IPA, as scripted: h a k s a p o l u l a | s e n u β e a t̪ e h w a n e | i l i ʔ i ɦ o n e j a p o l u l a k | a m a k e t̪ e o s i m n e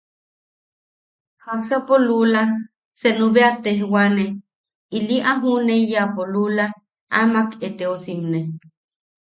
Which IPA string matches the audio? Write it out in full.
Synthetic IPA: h a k s a p o l u l a | s e n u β e a t̪ e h w a n e | i l i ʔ a ɦ u n e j a p o l u l a | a m a k e t̪ e o s i m n e